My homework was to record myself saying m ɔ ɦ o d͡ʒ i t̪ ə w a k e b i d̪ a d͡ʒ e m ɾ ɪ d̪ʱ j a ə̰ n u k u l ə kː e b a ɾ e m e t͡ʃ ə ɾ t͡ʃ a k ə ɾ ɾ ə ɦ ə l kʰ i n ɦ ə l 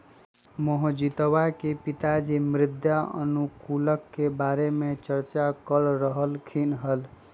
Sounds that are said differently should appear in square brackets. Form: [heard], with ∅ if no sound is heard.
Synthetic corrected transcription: m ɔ ɦ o d͡ʒ i t̪ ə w a k e [p] i [t̪] a d͡ʒ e m ɾ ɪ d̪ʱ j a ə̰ n u k u l ə kː e b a ɾ e m e t͡ʃ ə ɾ t͡ʃ a k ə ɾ ɾ ə ɦ ə l kʰ i n ɦ ə l